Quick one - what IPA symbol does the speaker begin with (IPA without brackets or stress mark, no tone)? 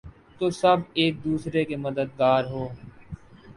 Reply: t̪